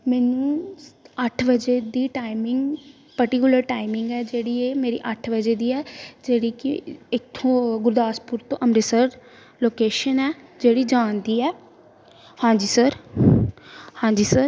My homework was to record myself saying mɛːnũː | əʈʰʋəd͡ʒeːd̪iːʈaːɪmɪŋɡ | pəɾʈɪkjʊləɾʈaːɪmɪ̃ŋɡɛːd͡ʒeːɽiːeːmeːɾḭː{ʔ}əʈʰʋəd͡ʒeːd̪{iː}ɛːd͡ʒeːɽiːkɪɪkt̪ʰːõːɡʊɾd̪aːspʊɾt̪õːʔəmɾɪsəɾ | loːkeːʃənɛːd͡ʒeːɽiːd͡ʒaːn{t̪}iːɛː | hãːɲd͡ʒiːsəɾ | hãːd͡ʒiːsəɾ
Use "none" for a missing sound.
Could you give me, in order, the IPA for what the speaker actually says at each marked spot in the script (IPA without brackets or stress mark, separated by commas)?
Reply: ʔ, iː, d̪